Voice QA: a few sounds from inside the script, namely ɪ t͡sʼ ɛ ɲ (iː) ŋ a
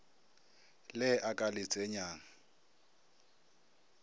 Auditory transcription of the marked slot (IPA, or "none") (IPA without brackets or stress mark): aː